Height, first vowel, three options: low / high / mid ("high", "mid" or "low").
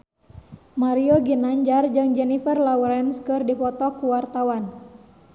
low